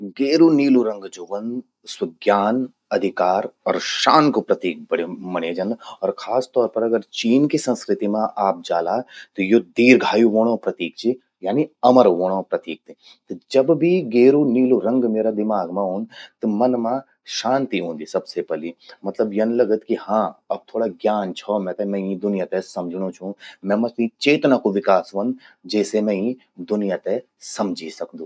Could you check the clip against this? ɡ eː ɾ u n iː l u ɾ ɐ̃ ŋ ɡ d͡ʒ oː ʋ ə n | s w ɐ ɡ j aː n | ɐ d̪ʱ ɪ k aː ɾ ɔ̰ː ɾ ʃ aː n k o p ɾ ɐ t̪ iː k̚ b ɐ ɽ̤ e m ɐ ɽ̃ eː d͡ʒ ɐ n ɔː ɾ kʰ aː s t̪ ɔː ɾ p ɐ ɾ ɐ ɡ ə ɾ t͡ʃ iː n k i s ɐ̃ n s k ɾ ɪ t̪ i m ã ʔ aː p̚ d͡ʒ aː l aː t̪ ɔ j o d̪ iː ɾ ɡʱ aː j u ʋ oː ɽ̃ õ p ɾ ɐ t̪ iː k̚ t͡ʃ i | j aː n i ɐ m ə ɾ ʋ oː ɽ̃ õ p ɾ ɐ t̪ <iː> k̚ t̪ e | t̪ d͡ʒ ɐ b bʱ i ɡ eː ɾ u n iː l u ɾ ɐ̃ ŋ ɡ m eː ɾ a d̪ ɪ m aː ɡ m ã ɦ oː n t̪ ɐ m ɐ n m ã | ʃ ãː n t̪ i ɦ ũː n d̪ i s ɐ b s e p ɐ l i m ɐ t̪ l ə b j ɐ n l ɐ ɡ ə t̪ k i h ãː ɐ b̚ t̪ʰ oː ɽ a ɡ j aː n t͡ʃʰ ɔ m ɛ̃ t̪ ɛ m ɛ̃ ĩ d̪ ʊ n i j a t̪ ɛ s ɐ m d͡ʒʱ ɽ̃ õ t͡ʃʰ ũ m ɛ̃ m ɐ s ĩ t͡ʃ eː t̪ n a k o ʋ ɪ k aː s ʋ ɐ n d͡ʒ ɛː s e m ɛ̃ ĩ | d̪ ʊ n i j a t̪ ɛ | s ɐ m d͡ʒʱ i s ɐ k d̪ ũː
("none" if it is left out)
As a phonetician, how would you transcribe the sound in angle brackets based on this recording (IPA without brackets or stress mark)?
iː